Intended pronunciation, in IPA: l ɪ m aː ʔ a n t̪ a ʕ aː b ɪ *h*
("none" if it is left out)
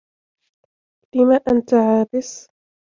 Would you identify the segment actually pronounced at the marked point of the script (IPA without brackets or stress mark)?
s